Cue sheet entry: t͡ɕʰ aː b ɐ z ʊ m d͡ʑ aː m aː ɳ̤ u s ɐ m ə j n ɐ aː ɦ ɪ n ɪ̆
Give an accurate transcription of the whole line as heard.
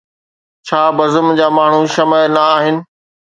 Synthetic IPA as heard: t͡ɕʰ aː b ɐ z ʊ m d͡ʑ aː m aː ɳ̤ u ʃ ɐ m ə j n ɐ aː ɦ ɪ n ɪ̆